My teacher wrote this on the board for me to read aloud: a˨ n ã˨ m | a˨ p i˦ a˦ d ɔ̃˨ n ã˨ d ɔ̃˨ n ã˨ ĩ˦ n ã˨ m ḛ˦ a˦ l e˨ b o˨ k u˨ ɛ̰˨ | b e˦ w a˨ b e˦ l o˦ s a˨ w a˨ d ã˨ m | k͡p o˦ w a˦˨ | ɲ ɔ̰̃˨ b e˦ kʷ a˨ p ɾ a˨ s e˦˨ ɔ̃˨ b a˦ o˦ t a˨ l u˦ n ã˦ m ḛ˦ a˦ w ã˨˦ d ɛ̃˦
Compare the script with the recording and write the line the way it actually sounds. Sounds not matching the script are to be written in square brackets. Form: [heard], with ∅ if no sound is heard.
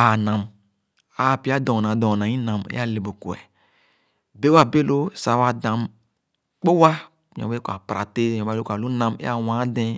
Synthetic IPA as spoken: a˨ n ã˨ m | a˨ p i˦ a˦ d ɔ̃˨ n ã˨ d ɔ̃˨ n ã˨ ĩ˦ n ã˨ m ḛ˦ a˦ l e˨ b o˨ k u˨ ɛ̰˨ | b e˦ w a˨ b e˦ l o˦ s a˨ w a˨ d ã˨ m | k͡p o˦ w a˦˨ | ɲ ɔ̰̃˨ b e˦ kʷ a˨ p ɾ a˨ [t] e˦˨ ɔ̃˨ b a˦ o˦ [k] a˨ l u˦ n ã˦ m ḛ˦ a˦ w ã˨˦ d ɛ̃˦